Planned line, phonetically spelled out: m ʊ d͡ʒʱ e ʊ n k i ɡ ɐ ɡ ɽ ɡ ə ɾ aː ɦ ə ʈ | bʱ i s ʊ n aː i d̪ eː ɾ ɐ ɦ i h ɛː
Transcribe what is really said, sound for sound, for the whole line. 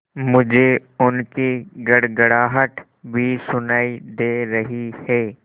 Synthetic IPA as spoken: m ʊ d͡ʒʱ e ʊ n k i ɡ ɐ ɽ ɡ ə ɽ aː ɦ ə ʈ | bʱ i s ʊ n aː i d̪ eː ɾ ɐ ɦ i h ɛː